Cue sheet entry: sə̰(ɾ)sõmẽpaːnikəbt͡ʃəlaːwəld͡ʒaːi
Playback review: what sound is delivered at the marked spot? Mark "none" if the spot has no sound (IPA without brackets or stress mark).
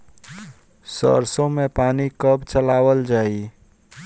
ɾ